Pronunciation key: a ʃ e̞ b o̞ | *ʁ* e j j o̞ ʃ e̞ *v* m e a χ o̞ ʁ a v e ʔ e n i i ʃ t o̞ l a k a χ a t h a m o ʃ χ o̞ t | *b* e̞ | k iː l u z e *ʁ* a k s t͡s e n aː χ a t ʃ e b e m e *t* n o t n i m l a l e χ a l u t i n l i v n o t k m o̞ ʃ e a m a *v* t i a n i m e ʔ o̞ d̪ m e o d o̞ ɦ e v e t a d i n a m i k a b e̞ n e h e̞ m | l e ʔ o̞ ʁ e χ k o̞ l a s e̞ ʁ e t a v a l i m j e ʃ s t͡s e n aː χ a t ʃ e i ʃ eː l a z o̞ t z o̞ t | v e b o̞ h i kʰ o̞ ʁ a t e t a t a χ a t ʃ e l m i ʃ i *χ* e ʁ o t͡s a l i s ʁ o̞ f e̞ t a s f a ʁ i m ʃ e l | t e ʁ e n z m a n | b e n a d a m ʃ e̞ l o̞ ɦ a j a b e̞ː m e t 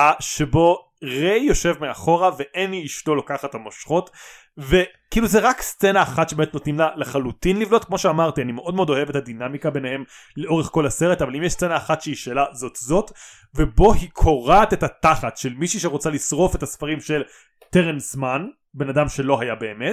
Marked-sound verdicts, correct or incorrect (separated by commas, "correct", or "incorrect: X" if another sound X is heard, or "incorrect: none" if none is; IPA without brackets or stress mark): correct, correct, incorrect: v, correct, correct, incorrect: ʁ, incorrect: ʃ